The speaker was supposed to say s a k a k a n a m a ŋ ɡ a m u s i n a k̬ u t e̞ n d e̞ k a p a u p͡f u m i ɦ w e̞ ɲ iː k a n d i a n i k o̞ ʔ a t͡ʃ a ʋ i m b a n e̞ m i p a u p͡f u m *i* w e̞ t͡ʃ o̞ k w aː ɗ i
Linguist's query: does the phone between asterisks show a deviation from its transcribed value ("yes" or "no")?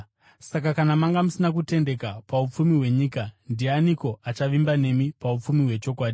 no